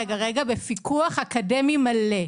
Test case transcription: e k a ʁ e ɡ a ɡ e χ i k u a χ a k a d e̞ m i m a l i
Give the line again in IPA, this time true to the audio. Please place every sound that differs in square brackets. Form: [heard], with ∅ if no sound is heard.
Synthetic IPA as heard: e [ɡ] a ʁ e ɡ a [b] e [f] i k u a χ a k a d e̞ m i m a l [e]